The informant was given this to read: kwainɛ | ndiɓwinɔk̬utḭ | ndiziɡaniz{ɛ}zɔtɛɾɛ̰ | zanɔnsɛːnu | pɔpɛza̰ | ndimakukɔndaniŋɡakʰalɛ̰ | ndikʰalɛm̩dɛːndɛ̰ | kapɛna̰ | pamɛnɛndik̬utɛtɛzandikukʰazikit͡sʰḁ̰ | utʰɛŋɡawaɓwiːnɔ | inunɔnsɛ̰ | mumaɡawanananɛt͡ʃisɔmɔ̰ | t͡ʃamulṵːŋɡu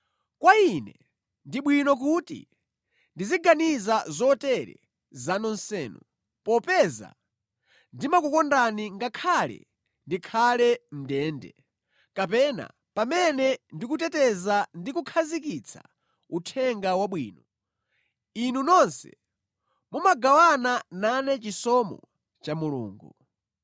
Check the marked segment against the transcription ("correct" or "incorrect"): incorrect